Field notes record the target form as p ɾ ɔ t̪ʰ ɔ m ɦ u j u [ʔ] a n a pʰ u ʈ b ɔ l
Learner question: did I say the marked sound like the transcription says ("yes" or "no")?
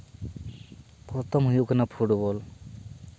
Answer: no